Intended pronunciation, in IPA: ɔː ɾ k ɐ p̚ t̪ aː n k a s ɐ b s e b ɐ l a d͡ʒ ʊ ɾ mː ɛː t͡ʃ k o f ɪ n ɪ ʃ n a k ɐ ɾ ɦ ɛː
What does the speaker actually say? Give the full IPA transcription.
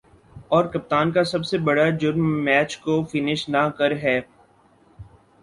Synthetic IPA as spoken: ɔː ɾ k ɐ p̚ t̪ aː n k a s ɐ b s e b ɐ ɽ a d͡ʒ ʊ ɾ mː ɛː t͡ʃ k o f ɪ n ɪ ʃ n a k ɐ ɾ ɦ ɛː